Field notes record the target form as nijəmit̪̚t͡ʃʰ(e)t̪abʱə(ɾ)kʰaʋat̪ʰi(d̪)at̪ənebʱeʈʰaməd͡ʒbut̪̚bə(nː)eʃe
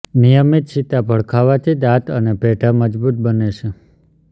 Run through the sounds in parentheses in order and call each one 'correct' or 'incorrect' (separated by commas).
incorrect, incorrect, correct, incorrect